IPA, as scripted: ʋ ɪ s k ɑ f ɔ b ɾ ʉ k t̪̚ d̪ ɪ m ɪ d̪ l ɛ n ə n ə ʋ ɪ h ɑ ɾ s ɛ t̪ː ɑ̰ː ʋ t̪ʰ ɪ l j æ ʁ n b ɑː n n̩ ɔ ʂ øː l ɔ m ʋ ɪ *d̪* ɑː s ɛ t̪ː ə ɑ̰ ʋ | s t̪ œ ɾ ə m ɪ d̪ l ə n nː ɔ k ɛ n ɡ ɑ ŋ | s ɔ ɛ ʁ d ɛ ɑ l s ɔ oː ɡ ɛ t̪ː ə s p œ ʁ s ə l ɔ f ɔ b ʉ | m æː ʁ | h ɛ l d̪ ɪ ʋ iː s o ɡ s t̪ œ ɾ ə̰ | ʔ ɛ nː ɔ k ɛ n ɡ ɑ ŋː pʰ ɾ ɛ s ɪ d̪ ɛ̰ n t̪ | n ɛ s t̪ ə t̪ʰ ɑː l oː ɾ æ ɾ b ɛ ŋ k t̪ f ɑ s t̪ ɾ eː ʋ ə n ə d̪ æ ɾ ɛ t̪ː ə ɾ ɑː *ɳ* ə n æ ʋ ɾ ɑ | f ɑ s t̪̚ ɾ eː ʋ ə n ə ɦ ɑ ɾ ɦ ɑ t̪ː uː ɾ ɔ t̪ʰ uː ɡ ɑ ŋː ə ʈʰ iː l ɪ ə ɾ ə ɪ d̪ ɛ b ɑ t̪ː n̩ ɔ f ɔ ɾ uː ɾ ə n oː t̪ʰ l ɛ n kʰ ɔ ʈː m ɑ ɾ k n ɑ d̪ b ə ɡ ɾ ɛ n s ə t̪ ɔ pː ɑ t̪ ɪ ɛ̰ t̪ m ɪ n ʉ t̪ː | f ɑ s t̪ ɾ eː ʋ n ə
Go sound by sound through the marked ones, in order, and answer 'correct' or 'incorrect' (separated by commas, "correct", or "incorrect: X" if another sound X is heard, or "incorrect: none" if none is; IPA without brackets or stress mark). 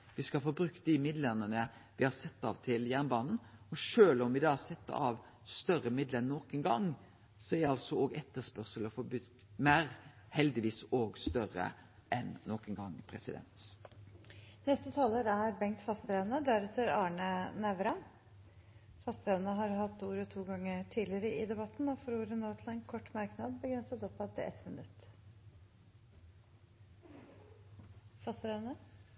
correct, correct